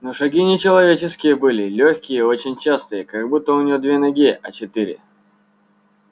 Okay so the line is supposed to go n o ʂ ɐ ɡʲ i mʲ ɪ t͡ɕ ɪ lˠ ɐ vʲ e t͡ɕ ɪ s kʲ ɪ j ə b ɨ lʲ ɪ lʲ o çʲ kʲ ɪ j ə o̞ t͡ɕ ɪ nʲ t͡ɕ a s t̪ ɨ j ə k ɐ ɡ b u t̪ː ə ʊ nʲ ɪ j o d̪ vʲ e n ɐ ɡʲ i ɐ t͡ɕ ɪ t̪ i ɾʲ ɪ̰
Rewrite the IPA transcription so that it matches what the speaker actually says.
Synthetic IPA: n o ʂ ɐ ɡʲ i nʲ ɪ t͡ɕ ɪ lˠ ɐ vʲ e t͡ɕ ɪ s kʲ ɪ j ə b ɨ lʲ ɪ lʲ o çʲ kʲ ɪ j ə o̞ t͡ɕ ɪ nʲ t͡ɕ a s t̪ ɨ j ə k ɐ ɡ b u t̪ː ə ʊ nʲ ɪ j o d̪ vʲ e n ɐ ɡʲ i ɐ t͡ɕ ɪ t̪ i ɾʲ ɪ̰

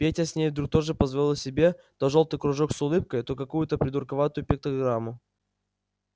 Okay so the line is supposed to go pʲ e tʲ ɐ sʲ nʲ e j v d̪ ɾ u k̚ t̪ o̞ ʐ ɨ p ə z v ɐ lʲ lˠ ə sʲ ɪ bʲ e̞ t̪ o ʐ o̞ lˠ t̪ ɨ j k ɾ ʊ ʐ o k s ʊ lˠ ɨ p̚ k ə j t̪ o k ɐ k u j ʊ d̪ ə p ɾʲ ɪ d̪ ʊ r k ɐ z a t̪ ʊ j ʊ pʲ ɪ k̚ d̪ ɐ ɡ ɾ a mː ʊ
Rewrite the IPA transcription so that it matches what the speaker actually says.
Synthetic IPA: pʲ e tʲ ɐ sʲ nʲ e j v d̪ ɾ u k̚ t̪ o̞ ʐ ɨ p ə z v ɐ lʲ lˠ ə sʲ ɪ bʲ e̞ t̪ o ʐ o̞ lˠ t̪ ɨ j k ɾ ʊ ʐ o k s ʊ lˠ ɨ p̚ k ə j t̪ o k ɐ k u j ʊ t̪ ə p ɾʲ ɪ d̪ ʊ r k ɐ v a t̪ ʊ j ʊ pʲ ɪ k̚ t̪ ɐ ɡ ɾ a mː ʊ

